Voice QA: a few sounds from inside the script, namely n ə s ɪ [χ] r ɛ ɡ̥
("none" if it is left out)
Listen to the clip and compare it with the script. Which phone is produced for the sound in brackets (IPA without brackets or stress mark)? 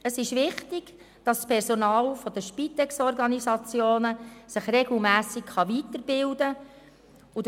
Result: χ